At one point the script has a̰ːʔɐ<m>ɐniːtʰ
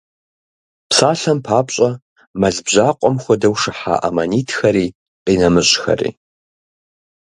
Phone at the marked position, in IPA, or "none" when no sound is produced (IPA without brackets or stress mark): m